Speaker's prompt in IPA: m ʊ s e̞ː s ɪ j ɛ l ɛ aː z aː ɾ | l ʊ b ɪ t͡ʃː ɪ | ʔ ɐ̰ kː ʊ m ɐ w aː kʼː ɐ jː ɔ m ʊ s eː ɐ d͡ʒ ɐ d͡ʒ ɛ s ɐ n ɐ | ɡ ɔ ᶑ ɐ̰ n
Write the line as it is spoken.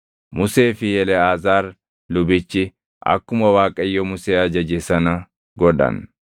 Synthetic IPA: m ʊ s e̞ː f ɪ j ɛ l ɛ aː z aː ɾ | l ʊ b ɪ t͡ʃː ɪ | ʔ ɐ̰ kː ʊ m ɐ w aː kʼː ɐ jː ɔ m ʊ s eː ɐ d͡ʒ ɐ d͡ʒ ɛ s ɐ n ɐ | ɡ ɔ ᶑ ɐ̰ n